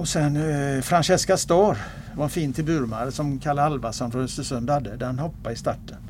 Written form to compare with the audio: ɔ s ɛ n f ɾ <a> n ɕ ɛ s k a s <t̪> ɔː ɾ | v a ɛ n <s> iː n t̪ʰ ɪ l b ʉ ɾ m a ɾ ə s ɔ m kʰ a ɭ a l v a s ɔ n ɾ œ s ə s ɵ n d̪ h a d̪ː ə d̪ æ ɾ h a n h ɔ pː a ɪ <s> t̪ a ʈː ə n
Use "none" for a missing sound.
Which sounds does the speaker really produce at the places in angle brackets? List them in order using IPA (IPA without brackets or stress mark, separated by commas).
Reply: a, t̪, f, s